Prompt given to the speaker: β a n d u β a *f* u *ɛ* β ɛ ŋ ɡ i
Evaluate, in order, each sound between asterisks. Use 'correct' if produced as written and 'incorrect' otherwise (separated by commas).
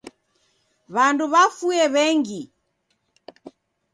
correct, correct